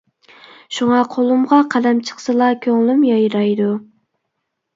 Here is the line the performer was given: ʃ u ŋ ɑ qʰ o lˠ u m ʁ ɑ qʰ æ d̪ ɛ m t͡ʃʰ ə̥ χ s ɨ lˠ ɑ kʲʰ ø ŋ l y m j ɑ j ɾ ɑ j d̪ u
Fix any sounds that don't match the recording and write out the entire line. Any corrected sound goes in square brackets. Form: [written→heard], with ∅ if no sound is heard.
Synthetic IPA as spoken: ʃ u ŋ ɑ qʰ o lˠ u m ʁ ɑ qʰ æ d̪ ɛ m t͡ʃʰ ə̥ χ s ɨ lˠ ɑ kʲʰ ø ŋ l y m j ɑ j ɾ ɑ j d̪ u

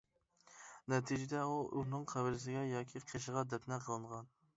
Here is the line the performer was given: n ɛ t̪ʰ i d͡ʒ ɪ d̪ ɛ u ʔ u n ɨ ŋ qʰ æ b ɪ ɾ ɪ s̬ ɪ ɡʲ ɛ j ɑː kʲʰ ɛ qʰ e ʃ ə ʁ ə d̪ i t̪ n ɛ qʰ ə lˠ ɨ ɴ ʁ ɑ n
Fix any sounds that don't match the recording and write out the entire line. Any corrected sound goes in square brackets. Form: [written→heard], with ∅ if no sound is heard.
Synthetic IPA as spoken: n ɛ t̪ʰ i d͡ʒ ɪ d̪ ɛ u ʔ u n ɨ ŋ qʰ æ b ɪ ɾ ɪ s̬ ɪ ɡʲ ɛ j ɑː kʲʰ [ɛ→i] qʰ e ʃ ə ʁ [ə→ɑ] d̪ [i→ɛ] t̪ n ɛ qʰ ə lˠ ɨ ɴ ʁ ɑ n

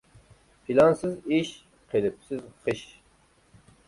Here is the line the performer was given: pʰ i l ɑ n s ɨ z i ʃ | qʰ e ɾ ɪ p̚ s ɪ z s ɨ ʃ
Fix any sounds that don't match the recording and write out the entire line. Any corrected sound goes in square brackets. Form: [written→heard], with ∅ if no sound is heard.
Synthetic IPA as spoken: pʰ i l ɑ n s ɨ z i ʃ | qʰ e [ɾ→l] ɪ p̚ s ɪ z [s→χ] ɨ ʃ

